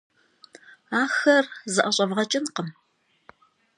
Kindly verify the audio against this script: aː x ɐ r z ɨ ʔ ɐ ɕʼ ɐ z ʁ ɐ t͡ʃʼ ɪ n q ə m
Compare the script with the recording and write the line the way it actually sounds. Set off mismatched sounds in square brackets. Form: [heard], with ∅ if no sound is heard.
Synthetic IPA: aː x ɐ r z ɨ ʔ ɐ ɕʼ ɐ [v] ʁ ɐ t͡ʃʼ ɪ n q ə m